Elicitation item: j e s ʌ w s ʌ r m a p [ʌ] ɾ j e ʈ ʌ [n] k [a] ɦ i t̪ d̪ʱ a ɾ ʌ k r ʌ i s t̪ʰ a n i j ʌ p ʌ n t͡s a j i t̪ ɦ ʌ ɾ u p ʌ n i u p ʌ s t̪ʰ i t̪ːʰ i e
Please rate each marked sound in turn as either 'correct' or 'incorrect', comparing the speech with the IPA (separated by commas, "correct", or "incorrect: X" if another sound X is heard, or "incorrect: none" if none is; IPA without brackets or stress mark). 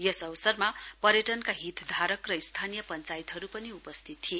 correct, correct, correct